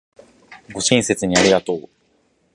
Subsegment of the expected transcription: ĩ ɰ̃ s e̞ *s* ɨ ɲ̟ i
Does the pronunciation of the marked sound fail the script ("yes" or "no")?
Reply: yes